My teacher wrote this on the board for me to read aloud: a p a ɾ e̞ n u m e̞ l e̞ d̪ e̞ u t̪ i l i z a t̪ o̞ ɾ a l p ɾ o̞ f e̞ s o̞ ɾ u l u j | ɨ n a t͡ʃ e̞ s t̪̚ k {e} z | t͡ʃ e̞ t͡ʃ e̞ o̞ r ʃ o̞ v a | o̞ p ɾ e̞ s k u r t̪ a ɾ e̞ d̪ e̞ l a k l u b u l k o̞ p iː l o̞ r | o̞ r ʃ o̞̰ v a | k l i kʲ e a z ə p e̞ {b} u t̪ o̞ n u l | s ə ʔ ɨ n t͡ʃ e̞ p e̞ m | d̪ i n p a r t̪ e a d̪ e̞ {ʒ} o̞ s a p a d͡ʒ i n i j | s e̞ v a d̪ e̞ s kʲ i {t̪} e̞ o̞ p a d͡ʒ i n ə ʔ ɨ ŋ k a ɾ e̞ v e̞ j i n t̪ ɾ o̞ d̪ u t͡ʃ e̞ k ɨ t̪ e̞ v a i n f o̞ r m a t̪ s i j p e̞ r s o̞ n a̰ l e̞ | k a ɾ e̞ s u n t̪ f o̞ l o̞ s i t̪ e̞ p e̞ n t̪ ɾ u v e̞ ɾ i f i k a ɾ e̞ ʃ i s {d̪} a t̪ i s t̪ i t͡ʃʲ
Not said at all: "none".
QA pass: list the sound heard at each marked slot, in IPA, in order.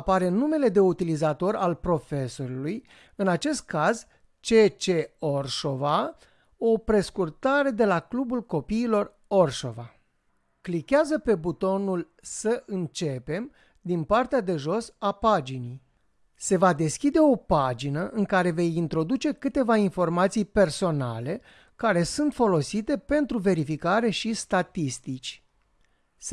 a, b, ʒ, d̪, t̪

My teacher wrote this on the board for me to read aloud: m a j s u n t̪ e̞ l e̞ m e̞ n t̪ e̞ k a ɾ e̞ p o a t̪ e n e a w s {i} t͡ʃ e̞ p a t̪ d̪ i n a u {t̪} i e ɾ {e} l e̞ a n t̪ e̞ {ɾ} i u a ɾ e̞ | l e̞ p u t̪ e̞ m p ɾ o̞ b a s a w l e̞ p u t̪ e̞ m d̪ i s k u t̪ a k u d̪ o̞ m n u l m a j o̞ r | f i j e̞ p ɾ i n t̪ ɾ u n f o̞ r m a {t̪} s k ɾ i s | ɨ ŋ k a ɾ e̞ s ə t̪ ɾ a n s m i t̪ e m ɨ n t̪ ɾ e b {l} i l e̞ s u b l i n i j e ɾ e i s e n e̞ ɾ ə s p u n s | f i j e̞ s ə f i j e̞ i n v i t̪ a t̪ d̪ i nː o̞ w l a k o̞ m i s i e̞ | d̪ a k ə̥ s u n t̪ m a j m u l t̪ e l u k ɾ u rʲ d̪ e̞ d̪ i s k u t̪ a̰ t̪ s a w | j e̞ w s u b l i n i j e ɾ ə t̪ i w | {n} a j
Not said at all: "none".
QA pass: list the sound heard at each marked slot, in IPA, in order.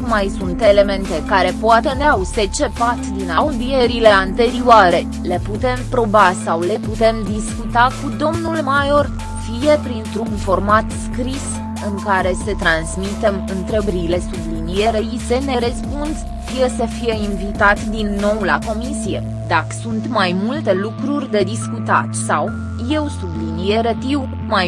e, d̪, i, ɾ, t̪, ɾ, m

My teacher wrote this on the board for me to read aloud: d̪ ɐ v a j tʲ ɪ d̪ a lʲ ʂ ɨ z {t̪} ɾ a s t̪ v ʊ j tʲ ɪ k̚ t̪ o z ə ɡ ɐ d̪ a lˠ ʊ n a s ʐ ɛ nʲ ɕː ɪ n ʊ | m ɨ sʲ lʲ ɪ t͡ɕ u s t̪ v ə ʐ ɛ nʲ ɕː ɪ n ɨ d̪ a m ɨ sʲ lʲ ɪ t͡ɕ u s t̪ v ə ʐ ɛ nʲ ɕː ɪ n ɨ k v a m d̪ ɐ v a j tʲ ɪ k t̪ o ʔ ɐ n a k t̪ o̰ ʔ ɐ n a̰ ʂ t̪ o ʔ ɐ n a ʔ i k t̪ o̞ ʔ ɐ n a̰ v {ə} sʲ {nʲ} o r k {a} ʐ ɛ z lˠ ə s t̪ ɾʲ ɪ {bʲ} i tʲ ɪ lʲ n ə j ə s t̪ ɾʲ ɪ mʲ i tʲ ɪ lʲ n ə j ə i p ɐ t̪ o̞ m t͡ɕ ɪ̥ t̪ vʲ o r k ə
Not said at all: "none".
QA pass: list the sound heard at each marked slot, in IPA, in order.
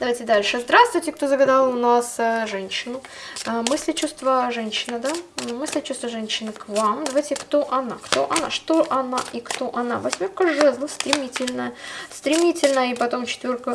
d̪, ɐ, mʲ, ə, mʲ

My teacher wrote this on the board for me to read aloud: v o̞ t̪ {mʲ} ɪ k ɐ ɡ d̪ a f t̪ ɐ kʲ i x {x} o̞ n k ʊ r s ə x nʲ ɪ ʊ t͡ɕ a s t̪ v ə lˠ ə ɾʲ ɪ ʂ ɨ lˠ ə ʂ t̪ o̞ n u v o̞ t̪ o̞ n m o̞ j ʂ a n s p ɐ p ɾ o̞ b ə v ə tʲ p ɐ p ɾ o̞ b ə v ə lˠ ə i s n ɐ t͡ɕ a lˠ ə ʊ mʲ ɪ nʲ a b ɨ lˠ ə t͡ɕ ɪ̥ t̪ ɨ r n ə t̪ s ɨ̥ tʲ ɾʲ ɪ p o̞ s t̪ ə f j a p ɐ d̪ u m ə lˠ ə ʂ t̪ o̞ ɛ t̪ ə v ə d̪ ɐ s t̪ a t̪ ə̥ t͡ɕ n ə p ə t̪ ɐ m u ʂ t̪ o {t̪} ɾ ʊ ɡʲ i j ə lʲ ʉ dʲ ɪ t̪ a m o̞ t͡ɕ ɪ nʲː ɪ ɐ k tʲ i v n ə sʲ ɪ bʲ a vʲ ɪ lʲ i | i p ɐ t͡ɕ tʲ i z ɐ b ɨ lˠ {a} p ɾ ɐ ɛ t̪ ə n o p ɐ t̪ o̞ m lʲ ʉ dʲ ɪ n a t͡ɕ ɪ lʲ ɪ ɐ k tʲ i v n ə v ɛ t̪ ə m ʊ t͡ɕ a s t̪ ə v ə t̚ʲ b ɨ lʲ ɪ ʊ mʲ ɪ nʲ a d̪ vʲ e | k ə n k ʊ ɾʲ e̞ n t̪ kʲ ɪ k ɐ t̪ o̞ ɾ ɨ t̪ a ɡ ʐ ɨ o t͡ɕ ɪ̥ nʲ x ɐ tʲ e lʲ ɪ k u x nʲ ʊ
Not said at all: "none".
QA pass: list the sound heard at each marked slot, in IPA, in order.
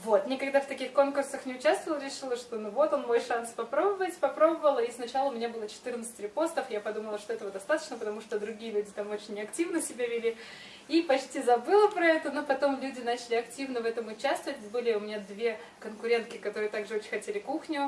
nʲ, k, d̪, ə

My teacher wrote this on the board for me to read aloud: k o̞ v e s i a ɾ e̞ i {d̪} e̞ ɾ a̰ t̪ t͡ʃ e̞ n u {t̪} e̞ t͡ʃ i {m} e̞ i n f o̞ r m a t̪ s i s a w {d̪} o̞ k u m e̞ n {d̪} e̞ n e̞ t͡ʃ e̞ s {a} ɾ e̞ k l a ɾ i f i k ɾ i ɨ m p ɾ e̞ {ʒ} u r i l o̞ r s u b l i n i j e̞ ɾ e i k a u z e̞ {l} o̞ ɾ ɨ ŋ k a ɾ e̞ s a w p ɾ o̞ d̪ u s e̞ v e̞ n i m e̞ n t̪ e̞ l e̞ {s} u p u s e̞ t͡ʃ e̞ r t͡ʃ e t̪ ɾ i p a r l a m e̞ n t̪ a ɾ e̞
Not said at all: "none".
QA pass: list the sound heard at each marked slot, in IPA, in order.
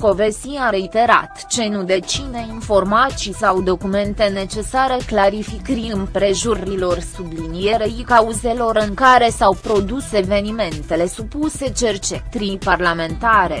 t̪, d̪, n, d̪, t̪, a, ʒ, l, s

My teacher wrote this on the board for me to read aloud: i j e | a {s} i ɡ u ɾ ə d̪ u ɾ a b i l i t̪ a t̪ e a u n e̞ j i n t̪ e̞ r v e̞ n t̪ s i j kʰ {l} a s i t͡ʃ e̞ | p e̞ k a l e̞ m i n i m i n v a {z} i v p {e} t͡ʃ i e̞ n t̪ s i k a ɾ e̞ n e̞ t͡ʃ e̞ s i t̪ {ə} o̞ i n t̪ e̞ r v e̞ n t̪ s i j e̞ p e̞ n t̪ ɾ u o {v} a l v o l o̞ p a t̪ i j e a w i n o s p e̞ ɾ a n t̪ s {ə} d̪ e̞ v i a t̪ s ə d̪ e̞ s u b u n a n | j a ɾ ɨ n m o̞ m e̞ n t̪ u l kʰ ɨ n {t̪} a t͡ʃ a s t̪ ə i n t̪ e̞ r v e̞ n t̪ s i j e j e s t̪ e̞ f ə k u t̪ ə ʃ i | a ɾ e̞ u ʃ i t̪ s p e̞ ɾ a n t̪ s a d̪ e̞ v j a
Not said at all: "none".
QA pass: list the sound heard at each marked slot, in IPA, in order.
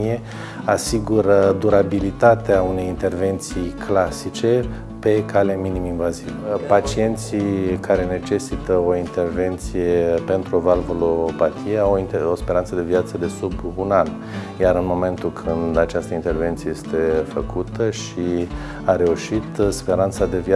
s, l, z, a, ə, v, ə, d̪

